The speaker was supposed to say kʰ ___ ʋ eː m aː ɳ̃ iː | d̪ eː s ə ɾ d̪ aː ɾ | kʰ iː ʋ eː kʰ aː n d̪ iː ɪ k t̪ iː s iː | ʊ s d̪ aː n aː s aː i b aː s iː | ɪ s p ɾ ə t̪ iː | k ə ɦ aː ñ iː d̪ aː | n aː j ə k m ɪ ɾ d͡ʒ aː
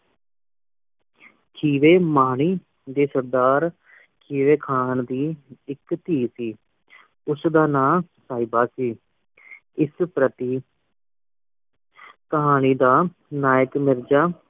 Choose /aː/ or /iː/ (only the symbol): iː